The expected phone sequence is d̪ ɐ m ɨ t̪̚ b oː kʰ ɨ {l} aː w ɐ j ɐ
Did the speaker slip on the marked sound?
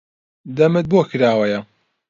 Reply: yes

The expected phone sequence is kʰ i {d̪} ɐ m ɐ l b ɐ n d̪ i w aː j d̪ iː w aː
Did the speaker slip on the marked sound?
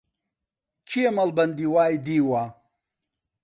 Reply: yes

